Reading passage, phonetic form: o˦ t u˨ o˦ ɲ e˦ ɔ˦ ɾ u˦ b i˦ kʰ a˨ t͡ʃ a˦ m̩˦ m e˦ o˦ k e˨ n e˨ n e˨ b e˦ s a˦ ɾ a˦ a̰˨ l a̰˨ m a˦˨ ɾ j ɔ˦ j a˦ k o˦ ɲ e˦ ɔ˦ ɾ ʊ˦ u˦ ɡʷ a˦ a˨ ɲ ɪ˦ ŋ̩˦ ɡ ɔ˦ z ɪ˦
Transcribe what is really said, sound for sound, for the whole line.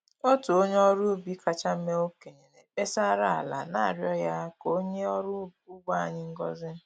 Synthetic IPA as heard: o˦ t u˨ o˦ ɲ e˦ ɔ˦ ɾ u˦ b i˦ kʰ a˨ t͡ʃ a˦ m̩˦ m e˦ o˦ k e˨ ɲ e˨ n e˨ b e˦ s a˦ ɾ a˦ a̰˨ l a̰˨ n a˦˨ ɾ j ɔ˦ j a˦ k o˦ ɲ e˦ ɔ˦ ɾ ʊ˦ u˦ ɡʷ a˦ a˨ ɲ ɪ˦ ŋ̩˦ ɡ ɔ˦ z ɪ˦